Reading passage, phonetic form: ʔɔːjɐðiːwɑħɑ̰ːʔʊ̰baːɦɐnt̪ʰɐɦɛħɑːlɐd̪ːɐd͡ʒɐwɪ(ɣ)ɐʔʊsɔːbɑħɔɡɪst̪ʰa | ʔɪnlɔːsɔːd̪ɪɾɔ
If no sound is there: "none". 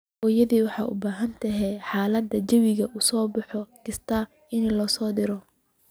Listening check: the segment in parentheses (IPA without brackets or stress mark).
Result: ɣ